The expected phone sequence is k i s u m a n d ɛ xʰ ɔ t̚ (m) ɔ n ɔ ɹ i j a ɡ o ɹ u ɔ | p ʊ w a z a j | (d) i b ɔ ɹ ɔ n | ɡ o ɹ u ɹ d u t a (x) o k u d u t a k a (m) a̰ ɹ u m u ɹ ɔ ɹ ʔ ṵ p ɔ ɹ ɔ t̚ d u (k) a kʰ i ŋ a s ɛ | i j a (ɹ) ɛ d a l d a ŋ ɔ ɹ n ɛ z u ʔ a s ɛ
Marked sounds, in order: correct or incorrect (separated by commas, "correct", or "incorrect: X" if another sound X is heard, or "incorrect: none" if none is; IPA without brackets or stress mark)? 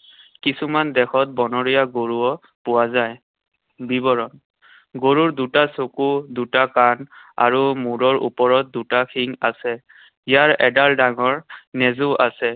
incorrect: b, incorrect: b, incorrect: s, incorrect: n, incorrect: t, correct